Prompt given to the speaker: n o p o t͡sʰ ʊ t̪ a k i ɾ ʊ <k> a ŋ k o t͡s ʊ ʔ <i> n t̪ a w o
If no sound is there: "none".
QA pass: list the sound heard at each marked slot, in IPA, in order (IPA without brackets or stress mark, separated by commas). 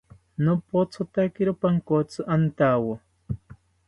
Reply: p, a